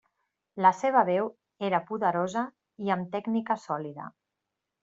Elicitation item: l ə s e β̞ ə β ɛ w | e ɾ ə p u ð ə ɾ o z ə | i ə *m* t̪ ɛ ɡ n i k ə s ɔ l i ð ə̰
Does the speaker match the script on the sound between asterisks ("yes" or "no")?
yes